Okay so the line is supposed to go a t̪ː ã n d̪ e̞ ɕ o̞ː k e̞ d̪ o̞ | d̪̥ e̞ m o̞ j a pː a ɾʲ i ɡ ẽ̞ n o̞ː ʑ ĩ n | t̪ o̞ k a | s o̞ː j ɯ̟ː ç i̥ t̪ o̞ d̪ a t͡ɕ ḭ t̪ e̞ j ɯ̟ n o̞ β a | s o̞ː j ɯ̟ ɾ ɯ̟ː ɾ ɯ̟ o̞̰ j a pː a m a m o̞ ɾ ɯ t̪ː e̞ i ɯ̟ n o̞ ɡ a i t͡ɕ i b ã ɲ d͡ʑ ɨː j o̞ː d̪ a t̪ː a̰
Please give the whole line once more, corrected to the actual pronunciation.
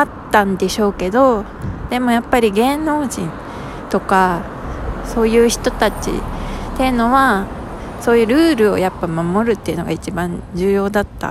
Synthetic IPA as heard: a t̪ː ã n d̪ e̞ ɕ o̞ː k e̞ d̪ o̞ | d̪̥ e̞ m o̞ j a pː a ɾʲ i ɡ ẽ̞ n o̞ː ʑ ĩ n | t̪ o̞ k a | s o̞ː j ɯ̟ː ç i̥ t̪ o̞ t̪ a t͡ɕ ḭ t̪ e̞ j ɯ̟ n o̞ β a | s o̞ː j ɯ̟ ɾ ɯ̟ː ɾ ɯ̟ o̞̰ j a pː a m a m o̞ ɾ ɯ t̪ː e̞ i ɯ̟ n o̞ ɡ a i t͡ɕ i b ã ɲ d͡ʑ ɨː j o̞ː d̪ a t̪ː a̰